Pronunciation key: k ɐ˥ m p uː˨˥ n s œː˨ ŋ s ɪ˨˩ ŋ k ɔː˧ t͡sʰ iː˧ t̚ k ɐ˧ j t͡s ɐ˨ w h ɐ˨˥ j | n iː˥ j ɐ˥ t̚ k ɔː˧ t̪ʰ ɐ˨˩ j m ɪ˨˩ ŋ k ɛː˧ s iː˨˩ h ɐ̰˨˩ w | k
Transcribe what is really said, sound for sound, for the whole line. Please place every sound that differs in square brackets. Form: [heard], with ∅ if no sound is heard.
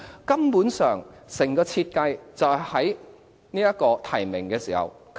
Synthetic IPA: k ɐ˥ m p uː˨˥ n s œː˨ ŋ s ɪ˨˩ ŋ k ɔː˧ t͡sʰ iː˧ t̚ k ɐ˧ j t͡s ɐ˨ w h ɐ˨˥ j | n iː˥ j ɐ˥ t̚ k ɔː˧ t̪ʰ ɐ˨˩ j m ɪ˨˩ ŋ k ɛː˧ s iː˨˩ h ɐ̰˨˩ w | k